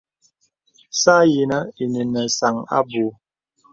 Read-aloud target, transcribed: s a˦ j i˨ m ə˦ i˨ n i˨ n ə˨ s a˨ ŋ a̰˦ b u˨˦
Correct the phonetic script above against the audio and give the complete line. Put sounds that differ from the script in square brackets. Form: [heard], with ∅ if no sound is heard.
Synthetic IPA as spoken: s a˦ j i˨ [n] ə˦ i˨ n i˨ n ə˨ s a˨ ŋ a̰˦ b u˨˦

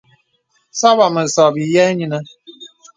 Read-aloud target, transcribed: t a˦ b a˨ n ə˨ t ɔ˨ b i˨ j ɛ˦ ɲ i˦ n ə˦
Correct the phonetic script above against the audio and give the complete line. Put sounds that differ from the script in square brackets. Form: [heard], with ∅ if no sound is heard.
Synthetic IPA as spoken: [s] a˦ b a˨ [m] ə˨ [s] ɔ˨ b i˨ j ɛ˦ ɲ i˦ n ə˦

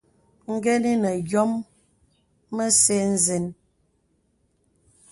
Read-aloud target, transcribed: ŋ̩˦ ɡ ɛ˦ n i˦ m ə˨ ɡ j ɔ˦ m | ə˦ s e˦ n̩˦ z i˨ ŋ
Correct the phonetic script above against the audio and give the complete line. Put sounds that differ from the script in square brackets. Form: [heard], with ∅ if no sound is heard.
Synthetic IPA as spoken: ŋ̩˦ ɡ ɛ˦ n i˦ [n] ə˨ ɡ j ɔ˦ m | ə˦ s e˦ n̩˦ z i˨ [n]

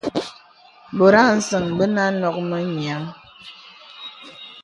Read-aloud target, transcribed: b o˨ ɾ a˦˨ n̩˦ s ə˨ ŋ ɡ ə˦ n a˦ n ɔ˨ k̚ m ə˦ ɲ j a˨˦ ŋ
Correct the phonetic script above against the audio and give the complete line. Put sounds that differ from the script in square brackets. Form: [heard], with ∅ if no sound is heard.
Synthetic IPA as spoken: b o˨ ɾ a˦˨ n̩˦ s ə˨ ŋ [b] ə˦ n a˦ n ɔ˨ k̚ m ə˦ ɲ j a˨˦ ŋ

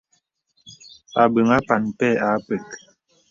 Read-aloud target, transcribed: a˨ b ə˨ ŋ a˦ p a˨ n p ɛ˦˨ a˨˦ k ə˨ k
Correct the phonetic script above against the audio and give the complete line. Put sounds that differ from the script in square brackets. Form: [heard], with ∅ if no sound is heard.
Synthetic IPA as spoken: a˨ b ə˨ ŋ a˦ p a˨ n p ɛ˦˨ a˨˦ [p] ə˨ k

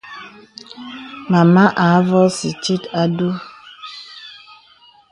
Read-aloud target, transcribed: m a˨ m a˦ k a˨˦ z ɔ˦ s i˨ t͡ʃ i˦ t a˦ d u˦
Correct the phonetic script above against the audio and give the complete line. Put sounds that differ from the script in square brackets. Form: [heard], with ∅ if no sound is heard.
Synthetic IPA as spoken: m a˨ m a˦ [ʔ] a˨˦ [v] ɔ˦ s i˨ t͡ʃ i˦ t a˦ d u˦

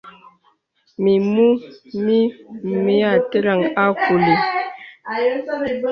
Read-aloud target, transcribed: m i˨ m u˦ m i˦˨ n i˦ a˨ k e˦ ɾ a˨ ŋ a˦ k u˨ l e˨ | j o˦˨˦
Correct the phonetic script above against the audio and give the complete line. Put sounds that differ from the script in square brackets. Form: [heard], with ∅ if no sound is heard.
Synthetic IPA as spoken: m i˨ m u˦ m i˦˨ [m] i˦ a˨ [t] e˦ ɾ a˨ ŋ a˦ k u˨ l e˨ | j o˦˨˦

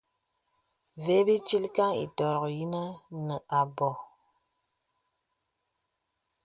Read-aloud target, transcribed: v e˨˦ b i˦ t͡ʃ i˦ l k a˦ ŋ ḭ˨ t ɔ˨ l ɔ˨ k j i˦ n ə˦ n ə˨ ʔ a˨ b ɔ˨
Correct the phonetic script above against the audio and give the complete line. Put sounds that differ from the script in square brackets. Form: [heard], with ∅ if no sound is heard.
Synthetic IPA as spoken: v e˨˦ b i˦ t͡ʃ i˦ l k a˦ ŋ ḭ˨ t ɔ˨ [ɾ] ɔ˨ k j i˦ n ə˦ n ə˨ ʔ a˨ b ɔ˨

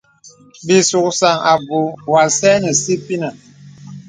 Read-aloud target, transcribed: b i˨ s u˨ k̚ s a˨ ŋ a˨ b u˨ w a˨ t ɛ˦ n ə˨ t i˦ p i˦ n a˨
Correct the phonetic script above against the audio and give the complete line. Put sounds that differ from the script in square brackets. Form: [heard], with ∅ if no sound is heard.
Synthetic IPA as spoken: b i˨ s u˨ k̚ s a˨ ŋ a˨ b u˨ w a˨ [s] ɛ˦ n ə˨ [s] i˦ p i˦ n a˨

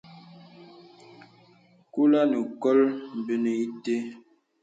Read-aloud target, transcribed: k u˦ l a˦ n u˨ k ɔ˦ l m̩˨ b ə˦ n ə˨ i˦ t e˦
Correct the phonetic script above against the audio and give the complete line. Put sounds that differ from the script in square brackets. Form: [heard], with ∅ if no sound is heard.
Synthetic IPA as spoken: k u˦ l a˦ n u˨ k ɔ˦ l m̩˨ b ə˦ n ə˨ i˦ t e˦

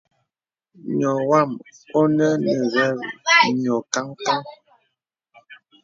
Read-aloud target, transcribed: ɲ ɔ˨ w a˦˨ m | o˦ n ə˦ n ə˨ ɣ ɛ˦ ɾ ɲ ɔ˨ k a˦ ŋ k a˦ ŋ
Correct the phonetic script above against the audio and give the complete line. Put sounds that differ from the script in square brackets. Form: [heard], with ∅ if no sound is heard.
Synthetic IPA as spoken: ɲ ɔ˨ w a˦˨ m | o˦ n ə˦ n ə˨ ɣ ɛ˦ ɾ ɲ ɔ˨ k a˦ ŋ k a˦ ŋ

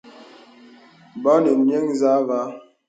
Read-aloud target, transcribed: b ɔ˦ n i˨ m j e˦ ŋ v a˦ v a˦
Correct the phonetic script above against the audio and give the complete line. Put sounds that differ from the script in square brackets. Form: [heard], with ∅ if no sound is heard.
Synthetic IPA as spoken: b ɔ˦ n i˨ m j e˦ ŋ [z] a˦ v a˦

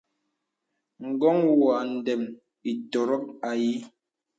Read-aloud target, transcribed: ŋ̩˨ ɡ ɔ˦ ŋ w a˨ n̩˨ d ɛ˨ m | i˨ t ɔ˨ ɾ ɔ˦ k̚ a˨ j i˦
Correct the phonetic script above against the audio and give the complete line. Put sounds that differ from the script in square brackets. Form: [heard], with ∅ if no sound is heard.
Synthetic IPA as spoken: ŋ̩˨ ɡ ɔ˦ ŋ w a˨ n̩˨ d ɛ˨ m | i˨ t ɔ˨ ɾ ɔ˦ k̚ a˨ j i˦

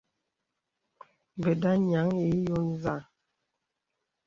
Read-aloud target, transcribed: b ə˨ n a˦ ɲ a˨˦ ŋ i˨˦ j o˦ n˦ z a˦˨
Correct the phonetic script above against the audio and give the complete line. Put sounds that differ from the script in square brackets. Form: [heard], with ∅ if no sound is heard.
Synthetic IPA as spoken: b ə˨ [d] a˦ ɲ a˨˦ ŋ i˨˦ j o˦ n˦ z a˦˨

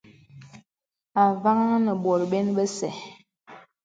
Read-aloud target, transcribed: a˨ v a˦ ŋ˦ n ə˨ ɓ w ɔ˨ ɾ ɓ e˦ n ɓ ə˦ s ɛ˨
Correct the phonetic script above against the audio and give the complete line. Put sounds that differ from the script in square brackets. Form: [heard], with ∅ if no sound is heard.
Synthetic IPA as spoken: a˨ v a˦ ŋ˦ n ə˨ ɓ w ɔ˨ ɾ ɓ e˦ n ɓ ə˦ s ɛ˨

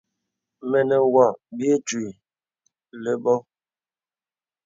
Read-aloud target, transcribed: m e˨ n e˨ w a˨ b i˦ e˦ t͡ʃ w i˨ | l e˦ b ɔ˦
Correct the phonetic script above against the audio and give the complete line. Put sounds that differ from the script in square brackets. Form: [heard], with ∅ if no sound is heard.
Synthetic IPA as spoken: m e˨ n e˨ w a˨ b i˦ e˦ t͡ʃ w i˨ | l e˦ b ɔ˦

